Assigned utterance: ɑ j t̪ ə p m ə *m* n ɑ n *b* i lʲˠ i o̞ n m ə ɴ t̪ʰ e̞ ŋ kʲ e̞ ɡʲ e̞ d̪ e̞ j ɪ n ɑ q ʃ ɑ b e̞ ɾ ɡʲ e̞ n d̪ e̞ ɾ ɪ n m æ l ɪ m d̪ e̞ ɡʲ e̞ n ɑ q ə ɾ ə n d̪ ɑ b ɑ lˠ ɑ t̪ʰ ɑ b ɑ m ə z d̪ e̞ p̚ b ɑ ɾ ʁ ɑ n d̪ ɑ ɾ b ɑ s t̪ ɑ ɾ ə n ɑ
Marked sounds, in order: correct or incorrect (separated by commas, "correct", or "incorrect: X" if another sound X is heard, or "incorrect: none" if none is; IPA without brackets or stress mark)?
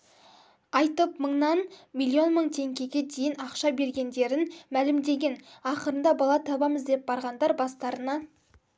incorrect: ɴ, incorrect: m